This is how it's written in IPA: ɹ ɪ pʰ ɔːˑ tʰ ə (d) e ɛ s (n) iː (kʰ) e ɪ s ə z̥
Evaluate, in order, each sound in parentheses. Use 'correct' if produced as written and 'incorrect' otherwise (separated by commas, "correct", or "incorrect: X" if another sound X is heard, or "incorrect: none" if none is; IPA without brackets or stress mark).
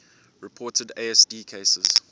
correct, incorrect: d, correct